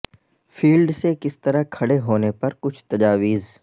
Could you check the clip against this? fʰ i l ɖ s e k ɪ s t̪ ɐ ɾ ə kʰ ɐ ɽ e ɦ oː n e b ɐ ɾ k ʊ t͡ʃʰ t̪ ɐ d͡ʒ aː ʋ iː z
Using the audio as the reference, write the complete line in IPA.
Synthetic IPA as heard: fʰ iː l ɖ s e k ɪ s t̪ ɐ ɾ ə kʰ ɐ ɽ e ɦ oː n e p ɐ ɾ k ʊ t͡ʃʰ t̪ ɐ d͡ʒ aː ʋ iː z